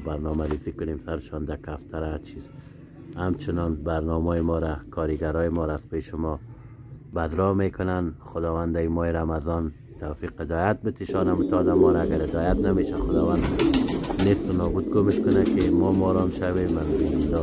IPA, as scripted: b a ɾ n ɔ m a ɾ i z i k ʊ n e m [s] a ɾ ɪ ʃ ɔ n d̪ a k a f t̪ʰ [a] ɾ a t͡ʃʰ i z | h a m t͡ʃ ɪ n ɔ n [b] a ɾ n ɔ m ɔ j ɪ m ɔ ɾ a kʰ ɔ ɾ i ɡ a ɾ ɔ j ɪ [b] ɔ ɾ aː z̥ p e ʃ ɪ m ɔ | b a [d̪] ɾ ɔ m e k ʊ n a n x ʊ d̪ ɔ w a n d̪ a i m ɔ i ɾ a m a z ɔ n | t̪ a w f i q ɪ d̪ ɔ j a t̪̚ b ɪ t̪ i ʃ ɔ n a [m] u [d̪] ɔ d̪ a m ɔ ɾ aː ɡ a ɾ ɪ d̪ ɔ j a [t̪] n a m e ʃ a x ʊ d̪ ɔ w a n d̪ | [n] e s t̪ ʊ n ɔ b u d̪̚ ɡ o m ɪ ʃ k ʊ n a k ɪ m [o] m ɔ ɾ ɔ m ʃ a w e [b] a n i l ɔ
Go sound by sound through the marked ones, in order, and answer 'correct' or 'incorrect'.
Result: correct, correct, correct, incorrect, correct, correct, incorrect, correct, correct, incorrect, incorrect

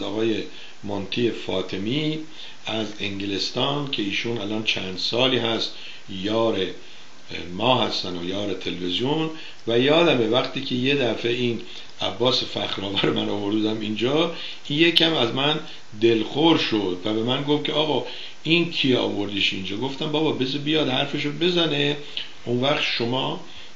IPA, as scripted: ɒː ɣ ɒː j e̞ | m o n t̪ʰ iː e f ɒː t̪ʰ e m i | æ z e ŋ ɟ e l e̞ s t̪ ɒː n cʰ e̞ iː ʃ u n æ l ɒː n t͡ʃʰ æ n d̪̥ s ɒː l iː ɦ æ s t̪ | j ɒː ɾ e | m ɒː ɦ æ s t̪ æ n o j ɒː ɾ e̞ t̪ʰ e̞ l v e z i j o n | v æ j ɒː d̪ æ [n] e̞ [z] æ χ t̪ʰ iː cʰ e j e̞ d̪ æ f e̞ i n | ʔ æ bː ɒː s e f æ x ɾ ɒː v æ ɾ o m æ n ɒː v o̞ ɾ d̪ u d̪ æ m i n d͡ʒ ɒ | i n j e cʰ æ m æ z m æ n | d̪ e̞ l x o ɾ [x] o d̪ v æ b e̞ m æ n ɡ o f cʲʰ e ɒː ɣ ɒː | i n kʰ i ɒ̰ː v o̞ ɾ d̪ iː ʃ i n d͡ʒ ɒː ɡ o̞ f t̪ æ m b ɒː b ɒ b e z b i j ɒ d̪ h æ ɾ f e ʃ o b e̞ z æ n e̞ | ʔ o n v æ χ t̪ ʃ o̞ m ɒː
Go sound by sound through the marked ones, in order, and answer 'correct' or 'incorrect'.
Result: incorrect, incorrect, incorrect

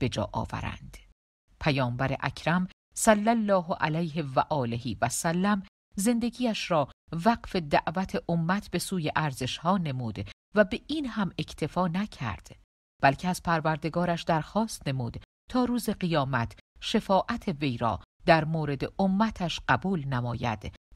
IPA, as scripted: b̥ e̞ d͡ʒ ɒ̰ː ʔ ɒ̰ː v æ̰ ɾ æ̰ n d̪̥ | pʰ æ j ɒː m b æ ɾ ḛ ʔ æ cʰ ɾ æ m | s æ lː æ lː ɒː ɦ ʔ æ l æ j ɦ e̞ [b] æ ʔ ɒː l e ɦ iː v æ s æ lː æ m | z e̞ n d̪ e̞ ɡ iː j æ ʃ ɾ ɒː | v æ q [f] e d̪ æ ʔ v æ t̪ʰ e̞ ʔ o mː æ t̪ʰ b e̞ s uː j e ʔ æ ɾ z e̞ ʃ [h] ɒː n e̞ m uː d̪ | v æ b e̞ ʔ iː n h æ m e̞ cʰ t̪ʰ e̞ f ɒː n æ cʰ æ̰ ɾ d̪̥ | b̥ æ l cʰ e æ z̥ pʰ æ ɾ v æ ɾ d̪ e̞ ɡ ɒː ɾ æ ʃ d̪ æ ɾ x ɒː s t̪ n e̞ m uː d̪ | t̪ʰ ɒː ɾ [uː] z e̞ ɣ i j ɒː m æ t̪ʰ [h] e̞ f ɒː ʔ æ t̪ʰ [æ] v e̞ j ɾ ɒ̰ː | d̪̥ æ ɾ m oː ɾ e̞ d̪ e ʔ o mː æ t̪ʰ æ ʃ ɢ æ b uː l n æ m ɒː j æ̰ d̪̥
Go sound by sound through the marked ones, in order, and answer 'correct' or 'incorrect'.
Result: incorrect, correct, correct, correct, incorrect, incorrect

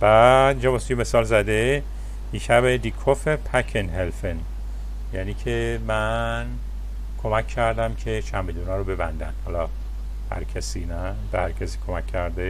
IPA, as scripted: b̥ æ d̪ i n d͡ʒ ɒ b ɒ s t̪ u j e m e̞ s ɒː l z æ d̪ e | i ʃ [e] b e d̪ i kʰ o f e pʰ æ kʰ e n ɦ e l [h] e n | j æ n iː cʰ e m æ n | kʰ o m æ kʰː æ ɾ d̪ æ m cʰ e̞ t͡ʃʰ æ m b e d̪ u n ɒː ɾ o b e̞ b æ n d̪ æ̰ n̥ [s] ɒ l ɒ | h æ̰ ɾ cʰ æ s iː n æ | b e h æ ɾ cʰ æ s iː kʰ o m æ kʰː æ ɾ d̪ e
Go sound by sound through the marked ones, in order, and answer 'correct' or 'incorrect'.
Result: incorrect, incorrect, incorrect

